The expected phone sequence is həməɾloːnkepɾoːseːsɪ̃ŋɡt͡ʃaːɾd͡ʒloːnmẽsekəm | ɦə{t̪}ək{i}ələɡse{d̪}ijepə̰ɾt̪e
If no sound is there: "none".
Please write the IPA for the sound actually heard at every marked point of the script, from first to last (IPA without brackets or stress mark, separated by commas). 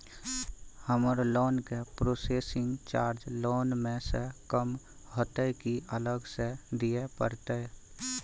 t̪, i, d̪